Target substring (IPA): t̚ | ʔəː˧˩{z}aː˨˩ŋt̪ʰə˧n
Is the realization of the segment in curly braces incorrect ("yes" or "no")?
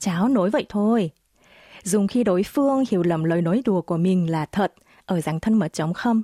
no